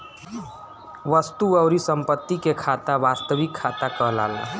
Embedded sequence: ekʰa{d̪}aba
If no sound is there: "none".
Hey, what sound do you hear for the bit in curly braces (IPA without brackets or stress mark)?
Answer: t̪